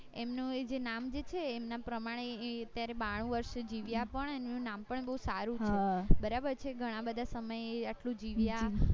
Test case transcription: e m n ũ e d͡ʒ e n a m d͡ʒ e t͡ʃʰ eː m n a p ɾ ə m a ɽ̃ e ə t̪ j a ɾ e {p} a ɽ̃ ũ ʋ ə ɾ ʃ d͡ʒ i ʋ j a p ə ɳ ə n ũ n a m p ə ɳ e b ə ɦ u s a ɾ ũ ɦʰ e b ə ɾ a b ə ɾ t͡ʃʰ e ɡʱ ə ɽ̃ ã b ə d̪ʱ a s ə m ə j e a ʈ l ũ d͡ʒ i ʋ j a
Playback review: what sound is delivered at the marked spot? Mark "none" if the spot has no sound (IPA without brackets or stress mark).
b